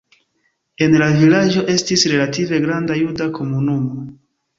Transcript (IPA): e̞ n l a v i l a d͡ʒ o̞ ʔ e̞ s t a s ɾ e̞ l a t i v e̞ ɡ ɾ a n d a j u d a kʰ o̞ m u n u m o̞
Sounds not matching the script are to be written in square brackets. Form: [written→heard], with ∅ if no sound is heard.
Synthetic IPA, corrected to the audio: e̞ n l a v i l a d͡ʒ o̞ ʔ e̞ s t [a→i] s ɾ e̞ l a t i v e̞ ɡ ɾ a n d a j u d a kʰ o̞ m u n u m o̞